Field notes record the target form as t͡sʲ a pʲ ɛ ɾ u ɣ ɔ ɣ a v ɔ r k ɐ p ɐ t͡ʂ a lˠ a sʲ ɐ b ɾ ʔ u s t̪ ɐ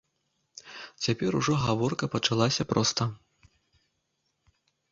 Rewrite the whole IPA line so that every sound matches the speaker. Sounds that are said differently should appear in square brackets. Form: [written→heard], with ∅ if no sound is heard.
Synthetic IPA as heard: t͡sʲ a pʲ ɛ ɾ u [ɣ→ʐ] ɔ ɣ a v ɔ r k ɐ p ɐ t͡ʂ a lˠ a sʲ ɐ [b→p] ɾ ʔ [u→ɔ] s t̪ ɐ